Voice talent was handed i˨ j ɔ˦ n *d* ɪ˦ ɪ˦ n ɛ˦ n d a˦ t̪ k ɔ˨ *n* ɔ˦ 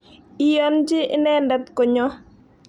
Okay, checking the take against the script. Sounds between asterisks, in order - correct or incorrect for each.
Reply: incorrect: d͡ʒ, incorrect: ɲ

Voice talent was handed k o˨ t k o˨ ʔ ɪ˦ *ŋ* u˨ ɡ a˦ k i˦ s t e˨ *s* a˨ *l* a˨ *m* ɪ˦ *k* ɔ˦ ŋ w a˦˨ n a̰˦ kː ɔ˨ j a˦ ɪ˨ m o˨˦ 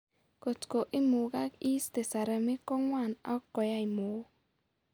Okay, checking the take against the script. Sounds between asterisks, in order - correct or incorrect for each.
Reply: incorrect: m, correct, incorrect: ɾ, correct, correct

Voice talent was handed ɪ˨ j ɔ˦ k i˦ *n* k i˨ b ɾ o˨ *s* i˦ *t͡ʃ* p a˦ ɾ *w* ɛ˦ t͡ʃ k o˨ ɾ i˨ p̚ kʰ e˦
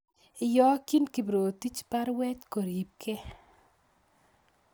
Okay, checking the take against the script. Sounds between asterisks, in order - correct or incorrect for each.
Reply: correct, incorrect: t, correct, correct

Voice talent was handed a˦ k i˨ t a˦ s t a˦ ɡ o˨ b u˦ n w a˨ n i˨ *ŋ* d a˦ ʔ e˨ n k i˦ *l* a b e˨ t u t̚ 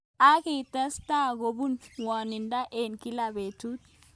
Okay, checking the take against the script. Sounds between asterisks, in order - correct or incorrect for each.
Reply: incorrect: n, correct

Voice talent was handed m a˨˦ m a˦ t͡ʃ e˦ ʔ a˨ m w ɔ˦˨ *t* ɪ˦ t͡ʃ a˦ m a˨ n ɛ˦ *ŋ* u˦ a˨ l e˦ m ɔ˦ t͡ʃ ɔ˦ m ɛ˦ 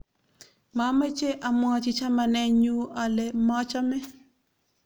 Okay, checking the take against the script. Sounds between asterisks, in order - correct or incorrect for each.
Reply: incorrect: t͡ʃ, incorrect: ɲ

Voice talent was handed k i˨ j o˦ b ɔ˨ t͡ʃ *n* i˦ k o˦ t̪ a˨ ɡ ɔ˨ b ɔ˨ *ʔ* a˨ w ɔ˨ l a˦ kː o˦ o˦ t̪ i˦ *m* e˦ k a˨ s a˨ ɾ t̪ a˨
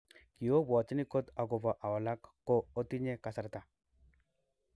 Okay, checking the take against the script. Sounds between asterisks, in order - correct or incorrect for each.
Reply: correct, correct, incorrect: ɲ

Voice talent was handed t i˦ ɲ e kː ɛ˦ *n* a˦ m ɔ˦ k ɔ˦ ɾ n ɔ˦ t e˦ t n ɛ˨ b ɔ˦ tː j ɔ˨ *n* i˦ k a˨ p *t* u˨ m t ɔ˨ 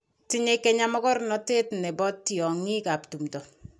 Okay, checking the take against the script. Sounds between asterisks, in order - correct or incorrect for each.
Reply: incorrect: ɲ, incorrect: ŋ, correct

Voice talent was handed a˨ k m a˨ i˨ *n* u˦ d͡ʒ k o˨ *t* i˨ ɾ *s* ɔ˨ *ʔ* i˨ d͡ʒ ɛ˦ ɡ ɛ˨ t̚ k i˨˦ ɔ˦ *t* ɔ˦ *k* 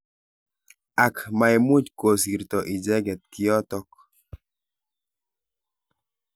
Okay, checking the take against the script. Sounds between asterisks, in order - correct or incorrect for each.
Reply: incorrect: m, incorrect: s, incorrect: t, correct, correct, correct

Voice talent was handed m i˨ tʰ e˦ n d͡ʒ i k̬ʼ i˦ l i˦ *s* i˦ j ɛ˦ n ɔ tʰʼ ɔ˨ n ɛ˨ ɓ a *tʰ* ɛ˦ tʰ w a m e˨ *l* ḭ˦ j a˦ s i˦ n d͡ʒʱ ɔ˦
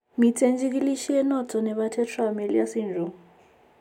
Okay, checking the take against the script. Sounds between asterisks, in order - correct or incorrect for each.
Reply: incorrect: ʃ, correct, correct

